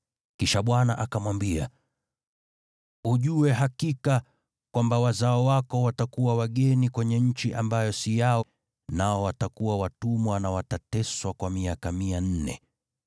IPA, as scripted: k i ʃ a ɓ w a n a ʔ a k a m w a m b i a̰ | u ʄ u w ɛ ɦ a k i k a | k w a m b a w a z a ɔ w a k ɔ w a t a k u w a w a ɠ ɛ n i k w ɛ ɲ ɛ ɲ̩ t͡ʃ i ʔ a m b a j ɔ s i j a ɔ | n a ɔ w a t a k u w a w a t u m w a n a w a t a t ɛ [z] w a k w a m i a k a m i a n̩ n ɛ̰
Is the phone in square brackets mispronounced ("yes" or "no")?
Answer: yes